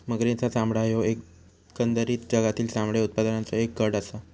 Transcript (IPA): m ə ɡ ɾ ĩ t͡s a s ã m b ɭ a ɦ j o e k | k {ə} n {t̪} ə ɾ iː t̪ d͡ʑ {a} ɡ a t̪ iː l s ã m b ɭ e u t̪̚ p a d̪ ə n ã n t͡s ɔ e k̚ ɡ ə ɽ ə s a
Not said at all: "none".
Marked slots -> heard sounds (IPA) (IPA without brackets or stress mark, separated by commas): ə, d̪, ə